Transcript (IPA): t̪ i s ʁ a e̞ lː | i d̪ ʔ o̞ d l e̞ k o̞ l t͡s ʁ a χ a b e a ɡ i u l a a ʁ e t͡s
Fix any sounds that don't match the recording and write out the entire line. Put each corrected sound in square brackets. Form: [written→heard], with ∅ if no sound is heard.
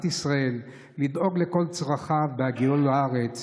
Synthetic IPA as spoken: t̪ i s ʁ a e̞ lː | i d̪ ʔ o̞ [d→ɡ] l e̞ k o̞ l t͡s ʁ a χ a b e a ɡ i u l a a ʁ e t͡s